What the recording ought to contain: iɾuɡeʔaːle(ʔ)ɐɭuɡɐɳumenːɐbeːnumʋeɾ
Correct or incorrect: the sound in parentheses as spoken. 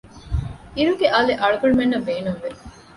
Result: correct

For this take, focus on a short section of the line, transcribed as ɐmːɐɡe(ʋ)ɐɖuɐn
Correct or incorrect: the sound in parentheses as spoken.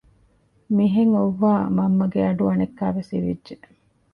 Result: incorrect: none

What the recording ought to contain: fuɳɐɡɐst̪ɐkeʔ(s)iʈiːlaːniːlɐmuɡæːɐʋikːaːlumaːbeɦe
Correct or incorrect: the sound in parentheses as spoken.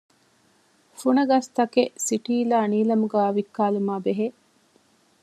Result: correct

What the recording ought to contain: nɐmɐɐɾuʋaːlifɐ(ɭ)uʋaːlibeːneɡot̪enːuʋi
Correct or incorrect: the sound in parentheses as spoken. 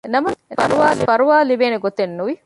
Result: incorrect: ɾ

